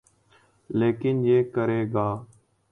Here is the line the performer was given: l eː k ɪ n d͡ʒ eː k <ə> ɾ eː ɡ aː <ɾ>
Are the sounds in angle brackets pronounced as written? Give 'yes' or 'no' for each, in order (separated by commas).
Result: yes, no